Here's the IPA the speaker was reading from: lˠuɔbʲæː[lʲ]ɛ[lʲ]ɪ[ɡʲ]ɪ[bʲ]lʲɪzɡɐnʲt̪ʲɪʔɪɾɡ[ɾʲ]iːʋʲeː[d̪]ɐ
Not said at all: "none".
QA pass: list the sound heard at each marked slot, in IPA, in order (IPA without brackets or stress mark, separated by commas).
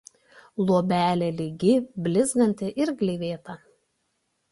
lʲ, lʲ, ɡʲ, bʲ, lʲ, t̪